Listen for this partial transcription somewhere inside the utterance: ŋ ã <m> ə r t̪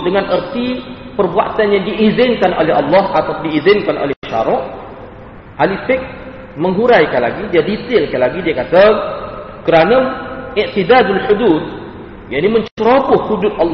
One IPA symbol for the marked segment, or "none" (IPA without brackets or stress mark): n